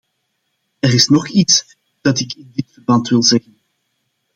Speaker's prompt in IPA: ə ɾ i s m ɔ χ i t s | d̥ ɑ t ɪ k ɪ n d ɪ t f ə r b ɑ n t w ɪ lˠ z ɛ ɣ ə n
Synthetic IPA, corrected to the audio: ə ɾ ɪ s n ɔ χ i t s | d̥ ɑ t ɪ k ɪ n d ɪ t f ə r b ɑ n t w ɪ lˠ z ɛ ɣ ə n